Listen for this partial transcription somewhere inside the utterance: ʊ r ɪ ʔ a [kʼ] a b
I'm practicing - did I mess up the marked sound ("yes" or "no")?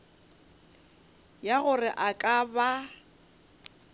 no